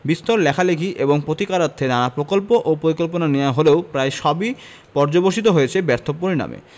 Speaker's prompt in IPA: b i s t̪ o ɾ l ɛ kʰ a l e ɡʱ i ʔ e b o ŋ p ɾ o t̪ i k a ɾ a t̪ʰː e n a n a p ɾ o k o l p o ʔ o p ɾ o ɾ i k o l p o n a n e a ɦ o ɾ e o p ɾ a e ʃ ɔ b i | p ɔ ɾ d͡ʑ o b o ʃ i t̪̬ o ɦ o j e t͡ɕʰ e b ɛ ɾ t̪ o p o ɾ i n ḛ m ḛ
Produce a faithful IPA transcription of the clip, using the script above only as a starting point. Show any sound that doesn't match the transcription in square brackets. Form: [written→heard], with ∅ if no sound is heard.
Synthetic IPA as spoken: b i s t̪ o ɾ l ɛ kʰ a l e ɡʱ i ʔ e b o ŋ p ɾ o t̪ i k a ɾ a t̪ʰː e n a n a p ɾ o k o l p o ʔ o p ɾ o ɾ i k o l p o n a n e a ɦ o [ɾ→l] e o p ɾ a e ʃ ɔ b i | p ɔ ɾ d͡ʑ o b o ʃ i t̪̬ o ɦ o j e t͡ɕʰ e b ɛ ɾ [t̪→t̪ʰ] o p o ɾ i n [ḛ→a̰] m ḛ